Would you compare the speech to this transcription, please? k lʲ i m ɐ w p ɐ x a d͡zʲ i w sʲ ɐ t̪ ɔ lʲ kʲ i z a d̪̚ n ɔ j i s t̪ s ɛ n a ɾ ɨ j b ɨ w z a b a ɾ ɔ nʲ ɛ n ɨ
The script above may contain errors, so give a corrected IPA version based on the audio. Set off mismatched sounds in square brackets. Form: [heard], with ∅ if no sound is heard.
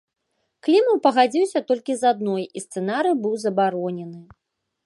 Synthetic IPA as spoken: k lʲ i m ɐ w p ɐ [ɣ] a d͡zʲ i w sʲ ɐ t̪ ɔ lʲ kʲ i z a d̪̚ n ɔ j i s t̪ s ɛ n a ɾ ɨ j b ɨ w z [ɐ] b a ɾ ɔ nʲ ɛ n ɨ